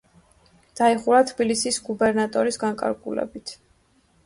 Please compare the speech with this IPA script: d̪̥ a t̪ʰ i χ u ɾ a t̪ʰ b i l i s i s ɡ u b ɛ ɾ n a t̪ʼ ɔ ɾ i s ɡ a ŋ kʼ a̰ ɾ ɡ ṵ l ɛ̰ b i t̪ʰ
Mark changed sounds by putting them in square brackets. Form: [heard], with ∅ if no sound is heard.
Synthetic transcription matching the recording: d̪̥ a [∅] i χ u ɾ a t̪ʰ b i l i s i s ɡ u b ɛ ɾ n a t̪ʼ ɔ ɾ i s ɡ a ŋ kʼ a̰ ɾ ɡ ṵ l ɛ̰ b i t̪ʰ